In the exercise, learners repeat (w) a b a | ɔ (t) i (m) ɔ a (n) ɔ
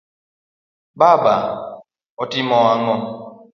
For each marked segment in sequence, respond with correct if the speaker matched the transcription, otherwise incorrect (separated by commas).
incorrect, correct, correct, incorrect